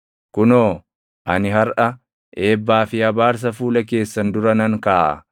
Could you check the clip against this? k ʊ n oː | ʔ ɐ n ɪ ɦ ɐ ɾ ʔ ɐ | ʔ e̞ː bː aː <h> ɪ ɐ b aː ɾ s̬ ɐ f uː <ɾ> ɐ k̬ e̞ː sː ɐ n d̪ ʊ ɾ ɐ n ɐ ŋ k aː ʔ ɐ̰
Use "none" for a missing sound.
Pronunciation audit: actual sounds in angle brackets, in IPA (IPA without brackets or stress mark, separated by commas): f, l